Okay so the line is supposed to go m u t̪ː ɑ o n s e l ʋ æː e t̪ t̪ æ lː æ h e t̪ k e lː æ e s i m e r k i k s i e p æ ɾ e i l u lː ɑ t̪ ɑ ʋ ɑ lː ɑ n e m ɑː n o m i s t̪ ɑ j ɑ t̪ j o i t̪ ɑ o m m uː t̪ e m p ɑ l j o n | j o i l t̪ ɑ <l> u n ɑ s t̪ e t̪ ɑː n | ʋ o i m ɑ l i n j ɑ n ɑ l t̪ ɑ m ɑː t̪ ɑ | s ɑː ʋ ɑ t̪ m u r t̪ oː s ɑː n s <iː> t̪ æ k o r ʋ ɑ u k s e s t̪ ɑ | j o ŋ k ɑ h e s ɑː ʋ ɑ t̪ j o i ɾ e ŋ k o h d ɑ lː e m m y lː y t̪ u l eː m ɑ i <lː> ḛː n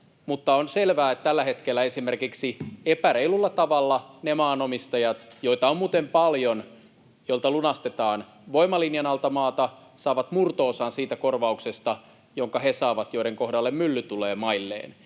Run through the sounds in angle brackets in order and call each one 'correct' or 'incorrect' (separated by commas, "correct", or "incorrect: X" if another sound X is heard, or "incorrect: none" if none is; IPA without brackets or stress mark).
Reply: correct, correct, correct